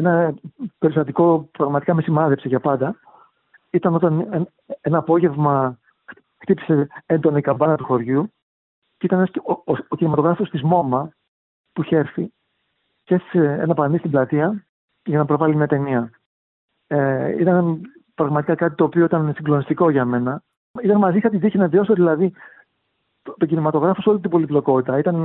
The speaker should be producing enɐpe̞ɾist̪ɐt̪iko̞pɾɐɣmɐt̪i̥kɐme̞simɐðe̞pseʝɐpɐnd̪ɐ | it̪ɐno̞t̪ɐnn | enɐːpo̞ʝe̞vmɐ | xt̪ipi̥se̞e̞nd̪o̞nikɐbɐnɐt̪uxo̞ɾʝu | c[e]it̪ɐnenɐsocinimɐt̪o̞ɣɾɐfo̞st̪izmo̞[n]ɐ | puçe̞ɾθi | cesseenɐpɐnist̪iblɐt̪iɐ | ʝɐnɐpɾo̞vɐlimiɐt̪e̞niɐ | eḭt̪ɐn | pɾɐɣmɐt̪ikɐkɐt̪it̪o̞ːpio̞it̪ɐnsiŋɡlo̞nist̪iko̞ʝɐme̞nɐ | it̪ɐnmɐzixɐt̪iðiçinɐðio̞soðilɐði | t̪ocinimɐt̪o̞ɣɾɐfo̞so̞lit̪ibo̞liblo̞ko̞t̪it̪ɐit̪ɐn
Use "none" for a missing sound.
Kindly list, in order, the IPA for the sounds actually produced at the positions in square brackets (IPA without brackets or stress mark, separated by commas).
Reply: e, m